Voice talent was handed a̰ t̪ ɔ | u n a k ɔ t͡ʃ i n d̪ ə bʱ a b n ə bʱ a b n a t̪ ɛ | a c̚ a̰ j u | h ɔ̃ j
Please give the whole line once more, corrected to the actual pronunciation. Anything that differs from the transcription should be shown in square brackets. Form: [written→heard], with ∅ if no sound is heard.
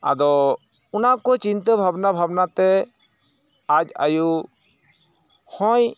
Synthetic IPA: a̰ [t̪→d̪] ɔ | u n a k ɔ t͡ʃ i n [d̪→t̪] ə bʱ a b n [ə→a] bʱ a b n a t̪ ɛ | a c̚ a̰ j u | h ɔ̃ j